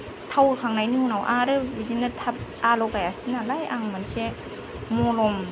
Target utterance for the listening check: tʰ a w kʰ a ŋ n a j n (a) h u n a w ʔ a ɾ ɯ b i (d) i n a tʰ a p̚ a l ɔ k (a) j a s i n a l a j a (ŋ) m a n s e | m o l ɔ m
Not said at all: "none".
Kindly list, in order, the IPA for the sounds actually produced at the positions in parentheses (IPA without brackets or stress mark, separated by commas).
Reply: i, d, a, ŋ